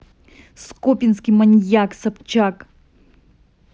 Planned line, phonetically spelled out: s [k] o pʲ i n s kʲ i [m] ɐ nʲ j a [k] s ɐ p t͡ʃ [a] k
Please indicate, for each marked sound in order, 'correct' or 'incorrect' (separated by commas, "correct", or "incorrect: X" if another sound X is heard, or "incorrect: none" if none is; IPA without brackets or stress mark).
correct, correct, correct, correct